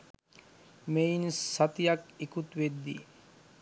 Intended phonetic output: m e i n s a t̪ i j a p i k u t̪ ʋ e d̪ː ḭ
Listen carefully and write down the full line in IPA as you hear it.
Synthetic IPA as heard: m e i n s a t̪ i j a k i k u t̪ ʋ e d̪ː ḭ